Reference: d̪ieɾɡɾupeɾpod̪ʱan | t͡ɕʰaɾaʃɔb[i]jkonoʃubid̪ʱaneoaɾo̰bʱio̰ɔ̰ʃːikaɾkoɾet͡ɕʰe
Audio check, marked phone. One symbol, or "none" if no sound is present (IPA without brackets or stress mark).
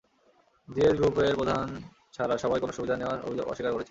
a